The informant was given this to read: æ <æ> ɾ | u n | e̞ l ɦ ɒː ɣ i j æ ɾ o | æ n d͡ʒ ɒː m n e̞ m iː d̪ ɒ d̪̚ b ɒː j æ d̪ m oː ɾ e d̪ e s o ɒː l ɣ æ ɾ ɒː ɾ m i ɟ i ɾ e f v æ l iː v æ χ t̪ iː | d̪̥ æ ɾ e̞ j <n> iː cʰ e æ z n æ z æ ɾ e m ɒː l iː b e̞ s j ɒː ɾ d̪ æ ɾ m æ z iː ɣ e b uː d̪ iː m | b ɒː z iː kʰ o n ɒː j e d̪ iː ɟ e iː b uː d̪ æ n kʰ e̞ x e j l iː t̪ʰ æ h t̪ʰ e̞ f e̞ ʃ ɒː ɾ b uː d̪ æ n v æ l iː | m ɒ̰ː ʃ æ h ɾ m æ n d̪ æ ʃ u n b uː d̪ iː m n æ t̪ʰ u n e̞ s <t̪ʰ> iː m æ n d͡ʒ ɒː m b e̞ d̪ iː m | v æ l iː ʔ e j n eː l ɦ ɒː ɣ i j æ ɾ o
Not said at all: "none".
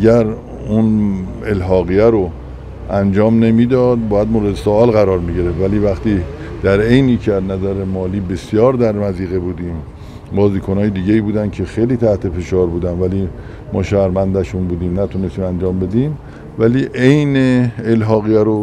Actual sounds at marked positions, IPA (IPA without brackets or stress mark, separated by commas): æ, n, t̪